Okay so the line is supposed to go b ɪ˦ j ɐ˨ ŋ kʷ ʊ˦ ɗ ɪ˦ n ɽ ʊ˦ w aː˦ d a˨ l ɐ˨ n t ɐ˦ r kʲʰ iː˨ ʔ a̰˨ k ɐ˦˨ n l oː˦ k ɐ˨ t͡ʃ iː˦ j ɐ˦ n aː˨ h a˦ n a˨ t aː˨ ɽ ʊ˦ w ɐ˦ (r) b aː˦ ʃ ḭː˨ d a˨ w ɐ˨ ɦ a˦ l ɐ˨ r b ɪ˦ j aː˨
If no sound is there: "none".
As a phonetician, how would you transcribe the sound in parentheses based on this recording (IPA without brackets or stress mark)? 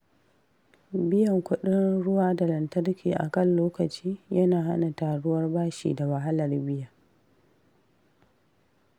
r